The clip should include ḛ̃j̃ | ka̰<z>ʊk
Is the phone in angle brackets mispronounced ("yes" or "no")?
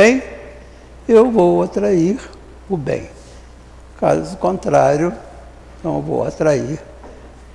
no